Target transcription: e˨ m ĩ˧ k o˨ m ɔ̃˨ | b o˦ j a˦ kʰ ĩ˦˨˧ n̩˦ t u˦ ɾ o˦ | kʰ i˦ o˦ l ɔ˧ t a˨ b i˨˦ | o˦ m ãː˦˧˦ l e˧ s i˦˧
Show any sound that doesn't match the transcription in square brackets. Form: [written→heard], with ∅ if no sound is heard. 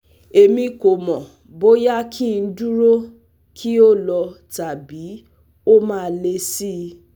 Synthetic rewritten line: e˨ m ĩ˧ k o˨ m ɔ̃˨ | b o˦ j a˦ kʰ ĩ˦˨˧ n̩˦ [t→d] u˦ ɾ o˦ | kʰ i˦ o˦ l ɔ˧ t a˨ b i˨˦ | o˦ m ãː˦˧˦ l e˧ s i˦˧